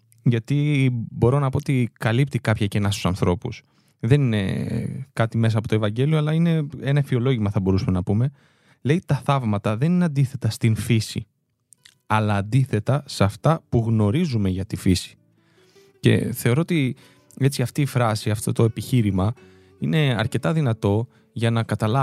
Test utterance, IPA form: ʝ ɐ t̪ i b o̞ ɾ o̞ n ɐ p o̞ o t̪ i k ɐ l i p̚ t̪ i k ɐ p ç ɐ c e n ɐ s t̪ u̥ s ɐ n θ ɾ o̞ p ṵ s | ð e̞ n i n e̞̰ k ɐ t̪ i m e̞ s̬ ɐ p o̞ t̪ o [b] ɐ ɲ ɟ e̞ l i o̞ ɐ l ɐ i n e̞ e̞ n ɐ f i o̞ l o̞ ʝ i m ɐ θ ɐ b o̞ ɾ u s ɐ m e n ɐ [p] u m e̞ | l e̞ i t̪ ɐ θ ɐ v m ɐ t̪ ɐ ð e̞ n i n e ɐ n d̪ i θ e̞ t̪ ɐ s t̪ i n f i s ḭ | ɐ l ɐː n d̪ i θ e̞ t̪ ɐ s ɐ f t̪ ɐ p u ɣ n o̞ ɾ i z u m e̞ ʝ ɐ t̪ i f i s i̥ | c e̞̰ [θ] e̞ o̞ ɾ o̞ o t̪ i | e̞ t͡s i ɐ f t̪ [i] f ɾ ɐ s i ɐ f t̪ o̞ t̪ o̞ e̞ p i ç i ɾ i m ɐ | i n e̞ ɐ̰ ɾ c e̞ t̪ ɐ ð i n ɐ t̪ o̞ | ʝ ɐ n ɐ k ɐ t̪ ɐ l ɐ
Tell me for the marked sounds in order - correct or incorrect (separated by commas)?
incorrect, correct, correct, incorrect